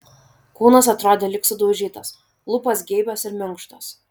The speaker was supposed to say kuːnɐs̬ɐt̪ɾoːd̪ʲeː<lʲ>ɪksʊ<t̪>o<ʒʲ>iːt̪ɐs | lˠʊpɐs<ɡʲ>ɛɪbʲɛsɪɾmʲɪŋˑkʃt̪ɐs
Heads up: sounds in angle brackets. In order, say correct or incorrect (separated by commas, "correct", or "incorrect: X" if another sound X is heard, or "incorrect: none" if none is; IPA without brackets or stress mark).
correct, incorrect: d̪, correct, correct